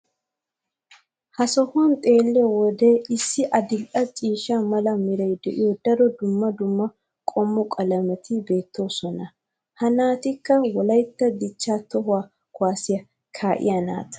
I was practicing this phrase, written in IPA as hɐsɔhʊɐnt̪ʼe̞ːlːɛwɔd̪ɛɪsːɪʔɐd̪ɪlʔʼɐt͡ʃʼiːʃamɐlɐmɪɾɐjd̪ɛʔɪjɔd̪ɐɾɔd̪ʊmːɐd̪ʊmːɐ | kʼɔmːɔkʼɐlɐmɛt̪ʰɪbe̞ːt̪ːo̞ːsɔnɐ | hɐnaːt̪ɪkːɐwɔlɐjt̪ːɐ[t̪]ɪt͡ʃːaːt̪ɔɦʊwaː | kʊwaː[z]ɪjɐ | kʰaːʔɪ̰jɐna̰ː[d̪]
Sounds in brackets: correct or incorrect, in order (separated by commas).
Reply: incorrect, incorrect, incorrect